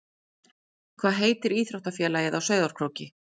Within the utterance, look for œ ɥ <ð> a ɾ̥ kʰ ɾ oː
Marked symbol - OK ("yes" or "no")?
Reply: yes